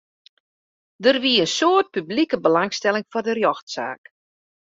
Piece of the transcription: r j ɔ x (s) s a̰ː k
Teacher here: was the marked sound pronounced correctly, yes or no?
no